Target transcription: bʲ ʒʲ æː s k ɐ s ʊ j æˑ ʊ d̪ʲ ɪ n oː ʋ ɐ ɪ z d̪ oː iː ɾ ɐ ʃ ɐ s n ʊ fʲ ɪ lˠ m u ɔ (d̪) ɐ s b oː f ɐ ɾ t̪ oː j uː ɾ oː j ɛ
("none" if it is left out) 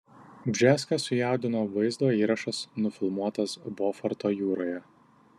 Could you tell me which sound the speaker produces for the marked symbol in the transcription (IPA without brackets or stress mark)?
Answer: t̪